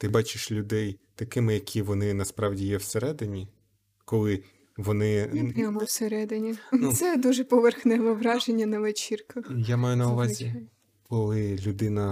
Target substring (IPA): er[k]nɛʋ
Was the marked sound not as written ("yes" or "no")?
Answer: yes